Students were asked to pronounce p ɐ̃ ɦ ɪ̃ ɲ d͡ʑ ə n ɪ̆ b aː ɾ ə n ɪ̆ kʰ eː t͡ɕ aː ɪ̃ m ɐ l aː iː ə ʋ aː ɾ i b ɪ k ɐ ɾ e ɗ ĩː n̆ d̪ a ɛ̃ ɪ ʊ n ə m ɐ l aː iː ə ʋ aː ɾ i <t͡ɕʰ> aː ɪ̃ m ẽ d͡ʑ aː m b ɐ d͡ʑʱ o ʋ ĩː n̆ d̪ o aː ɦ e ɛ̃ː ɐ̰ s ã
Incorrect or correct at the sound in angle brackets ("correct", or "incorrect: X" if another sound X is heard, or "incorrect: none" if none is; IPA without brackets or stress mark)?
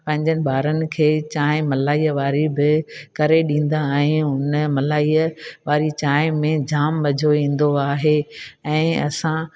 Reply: incorrect: t͡ɕ